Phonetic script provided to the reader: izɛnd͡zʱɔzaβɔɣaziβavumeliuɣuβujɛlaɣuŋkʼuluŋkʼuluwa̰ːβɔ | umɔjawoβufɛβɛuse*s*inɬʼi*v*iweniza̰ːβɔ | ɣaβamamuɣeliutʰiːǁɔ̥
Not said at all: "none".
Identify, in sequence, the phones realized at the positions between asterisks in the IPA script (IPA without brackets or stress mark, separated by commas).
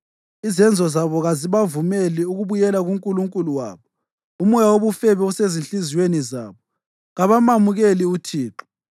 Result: z, z